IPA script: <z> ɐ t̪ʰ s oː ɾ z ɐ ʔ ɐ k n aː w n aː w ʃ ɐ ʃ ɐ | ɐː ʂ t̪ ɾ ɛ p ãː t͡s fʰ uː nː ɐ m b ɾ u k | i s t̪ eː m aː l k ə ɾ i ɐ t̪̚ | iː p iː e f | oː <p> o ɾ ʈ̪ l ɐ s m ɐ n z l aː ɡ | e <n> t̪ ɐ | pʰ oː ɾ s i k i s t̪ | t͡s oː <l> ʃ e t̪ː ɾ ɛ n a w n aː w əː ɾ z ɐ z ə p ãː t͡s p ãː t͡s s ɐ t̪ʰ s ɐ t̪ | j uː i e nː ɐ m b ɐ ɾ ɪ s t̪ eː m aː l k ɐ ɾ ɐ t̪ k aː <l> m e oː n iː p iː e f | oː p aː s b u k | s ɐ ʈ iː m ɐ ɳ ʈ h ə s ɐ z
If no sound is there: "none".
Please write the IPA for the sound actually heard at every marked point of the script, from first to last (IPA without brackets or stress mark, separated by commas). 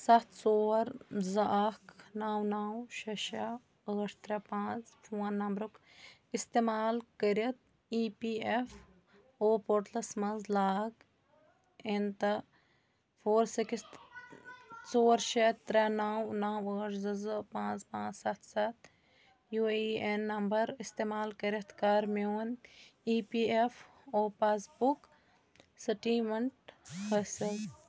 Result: s, p, n, ɾ, ɾ